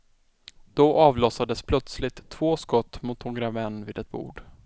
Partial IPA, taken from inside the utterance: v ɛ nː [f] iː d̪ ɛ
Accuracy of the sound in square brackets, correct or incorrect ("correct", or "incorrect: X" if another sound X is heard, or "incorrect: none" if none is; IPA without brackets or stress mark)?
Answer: incorrect: v